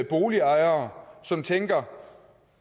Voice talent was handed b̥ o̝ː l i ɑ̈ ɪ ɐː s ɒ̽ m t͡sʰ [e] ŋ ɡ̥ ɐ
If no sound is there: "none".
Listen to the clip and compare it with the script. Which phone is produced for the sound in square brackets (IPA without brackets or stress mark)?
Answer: e